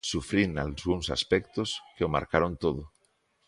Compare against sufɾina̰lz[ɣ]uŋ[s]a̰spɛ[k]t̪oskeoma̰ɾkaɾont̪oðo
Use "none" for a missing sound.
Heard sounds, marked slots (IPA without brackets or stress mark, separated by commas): ɣ, s, k